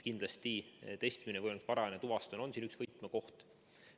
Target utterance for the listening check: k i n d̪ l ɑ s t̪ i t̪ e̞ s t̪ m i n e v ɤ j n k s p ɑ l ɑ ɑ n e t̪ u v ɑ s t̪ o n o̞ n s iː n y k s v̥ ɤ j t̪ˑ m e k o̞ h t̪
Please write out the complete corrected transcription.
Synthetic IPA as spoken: k i n d̪ l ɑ s t̪ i t̪ e̞ s t̪ m i n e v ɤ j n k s p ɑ ɾ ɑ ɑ n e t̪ u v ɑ s t̪ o n o̞ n s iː n y k s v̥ ɤ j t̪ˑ m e k o̞ h t̪

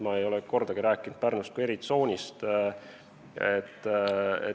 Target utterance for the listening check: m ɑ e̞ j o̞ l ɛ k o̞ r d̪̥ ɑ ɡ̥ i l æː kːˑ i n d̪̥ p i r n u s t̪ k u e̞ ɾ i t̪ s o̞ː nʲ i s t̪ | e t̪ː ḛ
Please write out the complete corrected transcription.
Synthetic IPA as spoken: m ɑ e̞ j o̞ l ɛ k o̞ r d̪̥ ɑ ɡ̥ i ɾ æː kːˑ i n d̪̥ p æ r n u s t̪ k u e̞ ɾ i t̪ s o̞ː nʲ i s t̪ | e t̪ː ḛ

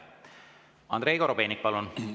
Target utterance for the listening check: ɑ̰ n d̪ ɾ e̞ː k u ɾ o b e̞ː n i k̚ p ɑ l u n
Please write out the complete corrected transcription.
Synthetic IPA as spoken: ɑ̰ n d̪ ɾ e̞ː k o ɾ o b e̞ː n i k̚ p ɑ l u n

